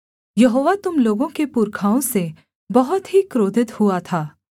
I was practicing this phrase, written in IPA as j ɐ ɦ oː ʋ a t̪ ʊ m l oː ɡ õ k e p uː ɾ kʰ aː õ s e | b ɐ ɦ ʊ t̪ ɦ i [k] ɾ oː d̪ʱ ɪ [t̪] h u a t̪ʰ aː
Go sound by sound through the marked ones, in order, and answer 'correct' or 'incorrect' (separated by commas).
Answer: correct, correct